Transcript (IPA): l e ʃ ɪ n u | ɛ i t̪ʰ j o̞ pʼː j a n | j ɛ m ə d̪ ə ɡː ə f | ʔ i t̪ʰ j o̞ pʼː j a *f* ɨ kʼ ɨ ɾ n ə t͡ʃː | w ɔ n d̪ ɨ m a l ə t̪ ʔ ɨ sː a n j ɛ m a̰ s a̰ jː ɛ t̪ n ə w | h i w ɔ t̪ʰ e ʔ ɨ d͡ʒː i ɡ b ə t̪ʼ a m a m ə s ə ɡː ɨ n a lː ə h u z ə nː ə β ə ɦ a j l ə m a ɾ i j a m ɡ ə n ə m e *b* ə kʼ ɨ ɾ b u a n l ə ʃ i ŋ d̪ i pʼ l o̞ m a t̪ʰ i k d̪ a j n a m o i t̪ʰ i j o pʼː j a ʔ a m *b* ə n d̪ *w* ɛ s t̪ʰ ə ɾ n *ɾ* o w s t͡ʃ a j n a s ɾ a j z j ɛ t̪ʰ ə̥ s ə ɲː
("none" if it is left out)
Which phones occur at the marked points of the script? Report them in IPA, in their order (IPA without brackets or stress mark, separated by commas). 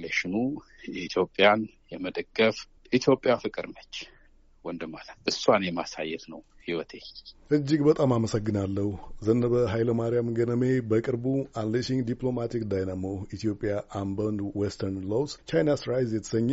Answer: f, b, b, w, l